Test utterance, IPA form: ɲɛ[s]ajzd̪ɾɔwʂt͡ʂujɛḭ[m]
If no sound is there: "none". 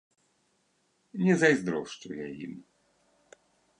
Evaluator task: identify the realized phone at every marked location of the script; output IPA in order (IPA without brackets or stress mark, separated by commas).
z, m